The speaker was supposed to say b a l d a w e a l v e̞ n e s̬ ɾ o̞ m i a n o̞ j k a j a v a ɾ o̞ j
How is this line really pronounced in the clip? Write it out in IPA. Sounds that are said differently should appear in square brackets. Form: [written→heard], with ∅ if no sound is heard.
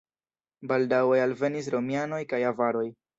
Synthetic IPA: b a l d a w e a l v e̞ n [e→i] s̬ ɾ o̞ m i a n o̞ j k a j a v a ɾ o̞ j